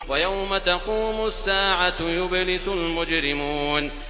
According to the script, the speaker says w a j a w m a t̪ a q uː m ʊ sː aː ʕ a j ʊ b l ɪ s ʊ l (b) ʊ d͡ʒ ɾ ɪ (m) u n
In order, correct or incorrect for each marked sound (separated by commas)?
incorrect, correct